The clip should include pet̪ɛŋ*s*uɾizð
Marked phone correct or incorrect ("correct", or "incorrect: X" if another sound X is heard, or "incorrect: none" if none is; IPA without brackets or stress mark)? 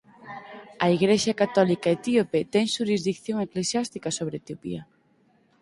incorrect: ʃ